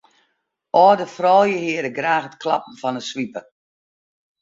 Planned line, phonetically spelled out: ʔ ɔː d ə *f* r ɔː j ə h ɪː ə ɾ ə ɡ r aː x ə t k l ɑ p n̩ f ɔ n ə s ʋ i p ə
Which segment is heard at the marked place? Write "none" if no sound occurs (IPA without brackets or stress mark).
f